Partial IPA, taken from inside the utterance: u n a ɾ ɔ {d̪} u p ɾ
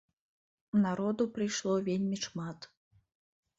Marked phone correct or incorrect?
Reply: correct